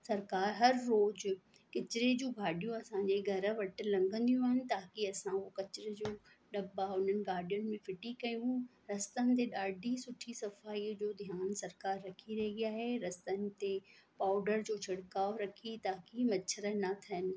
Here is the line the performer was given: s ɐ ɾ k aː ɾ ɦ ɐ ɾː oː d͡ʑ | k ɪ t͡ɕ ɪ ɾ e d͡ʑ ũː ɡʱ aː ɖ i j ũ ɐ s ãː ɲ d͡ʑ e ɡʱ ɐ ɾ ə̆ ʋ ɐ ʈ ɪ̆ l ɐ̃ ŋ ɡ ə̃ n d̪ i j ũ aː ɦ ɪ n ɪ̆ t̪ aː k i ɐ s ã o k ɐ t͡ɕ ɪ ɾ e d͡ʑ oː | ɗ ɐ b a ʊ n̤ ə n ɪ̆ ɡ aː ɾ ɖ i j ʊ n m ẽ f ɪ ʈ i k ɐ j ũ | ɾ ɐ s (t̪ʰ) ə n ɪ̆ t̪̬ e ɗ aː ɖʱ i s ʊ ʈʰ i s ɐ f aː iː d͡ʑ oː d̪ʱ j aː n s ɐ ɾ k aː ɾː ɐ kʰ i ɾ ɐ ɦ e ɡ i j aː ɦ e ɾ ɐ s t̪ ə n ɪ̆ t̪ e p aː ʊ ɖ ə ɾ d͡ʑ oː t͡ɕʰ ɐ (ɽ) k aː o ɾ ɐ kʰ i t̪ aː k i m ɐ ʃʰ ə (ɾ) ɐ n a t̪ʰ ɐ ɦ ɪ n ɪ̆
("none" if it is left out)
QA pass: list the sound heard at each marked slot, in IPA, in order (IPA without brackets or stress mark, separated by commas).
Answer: t̪, ɽ, ɾ